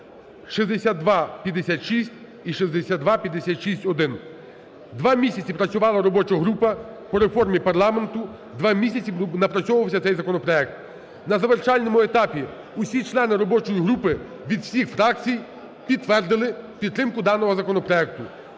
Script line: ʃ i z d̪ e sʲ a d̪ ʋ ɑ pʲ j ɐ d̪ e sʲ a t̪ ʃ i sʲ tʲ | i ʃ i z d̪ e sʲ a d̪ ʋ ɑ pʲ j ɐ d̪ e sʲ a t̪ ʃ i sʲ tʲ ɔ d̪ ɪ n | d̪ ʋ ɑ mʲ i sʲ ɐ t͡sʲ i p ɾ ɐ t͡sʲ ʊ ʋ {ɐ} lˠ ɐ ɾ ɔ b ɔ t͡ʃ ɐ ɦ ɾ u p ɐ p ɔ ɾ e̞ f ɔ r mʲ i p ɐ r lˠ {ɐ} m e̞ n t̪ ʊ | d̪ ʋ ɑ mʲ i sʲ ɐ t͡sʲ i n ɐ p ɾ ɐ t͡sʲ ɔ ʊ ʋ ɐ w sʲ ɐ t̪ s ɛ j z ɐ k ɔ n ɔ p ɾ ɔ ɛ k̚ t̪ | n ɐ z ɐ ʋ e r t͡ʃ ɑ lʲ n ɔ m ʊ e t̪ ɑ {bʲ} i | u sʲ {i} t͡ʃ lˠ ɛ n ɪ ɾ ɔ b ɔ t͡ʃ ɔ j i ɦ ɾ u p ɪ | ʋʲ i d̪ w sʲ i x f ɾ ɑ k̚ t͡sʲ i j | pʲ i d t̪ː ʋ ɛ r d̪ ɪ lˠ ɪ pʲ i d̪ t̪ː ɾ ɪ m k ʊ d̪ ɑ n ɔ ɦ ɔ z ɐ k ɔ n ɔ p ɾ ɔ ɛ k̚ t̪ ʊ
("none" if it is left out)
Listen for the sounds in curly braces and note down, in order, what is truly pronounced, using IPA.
ɑ, ɑ, pʲ, i

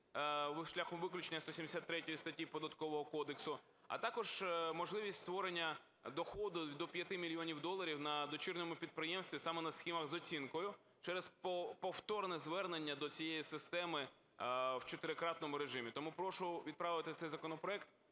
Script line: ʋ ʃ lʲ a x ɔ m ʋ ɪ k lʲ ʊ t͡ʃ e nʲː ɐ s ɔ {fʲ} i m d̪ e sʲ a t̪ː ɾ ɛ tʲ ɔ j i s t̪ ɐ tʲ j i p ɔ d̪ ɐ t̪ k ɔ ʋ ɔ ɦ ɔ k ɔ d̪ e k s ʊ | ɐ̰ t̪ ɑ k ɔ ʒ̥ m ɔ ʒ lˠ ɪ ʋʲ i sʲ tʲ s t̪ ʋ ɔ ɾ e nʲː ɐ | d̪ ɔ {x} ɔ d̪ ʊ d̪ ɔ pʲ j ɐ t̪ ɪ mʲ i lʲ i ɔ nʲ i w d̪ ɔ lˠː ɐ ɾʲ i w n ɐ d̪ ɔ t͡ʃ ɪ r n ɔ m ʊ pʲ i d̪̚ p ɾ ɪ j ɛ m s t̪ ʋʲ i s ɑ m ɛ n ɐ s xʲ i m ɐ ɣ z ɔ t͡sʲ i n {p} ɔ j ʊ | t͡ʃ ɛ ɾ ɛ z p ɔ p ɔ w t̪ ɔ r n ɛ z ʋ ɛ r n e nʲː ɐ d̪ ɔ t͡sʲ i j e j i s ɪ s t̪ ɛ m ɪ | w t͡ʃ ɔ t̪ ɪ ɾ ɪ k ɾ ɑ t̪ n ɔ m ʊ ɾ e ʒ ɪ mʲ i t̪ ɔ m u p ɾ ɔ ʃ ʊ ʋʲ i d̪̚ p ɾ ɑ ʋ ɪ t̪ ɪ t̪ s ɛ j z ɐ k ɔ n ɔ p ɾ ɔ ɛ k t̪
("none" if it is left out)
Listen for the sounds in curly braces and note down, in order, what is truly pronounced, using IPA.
sʲ, x, k

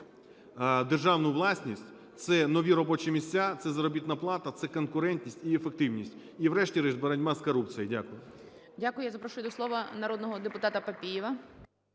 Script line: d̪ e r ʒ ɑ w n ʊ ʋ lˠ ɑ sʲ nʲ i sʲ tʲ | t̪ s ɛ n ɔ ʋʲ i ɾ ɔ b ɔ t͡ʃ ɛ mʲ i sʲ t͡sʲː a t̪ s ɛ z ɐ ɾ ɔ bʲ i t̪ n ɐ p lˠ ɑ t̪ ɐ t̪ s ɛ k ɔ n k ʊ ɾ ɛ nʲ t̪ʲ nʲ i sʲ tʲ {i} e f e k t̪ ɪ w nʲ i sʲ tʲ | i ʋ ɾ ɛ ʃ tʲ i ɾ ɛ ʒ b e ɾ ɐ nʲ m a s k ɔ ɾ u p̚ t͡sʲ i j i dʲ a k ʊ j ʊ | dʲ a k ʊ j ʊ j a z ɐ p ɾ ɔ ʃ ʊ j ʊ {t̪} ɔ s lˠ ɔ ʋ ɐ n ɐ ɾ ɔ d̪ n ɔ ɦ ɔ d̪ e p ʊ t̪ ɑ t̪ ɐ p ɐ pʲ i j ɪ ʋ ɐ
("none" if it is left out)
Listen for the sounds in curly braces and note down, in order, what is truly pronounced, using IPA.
i, d̪

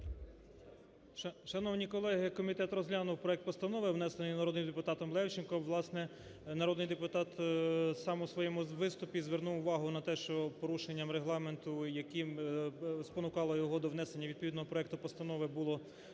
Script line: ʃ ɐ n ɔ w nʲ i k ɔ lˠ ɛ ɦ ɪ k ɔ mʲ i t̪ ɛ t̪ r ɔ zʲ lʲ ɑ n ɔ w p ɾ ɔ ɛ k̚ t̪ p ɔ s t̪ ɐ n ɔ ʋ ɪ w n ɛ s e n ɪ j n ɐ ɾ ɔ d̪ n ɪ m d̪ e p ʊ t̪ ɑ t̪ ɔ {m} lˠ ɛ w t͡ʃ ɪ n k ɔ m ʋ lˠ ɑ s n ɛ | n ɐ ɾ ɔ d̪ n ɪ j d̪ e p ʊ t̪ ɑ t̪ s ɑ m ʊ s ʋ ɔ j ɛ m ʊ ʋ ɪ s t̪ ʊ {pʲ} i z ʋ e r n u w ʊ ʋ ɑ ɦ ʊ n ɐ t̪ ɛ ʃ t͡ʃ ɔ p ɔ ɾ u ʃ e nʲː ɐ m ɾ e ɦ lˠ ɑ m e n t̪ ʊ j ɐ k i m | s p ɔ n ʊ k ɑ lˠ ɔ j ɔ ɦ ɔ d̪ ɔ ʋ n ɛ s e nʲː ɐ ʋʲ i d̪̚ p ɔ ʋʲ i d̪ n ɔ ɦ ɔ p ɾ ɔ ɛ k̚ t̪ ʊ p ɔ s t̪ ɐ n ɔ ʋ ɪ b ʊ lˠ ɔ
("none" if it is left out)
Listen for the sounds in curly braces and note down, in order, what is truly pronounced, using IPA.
m, pʲ

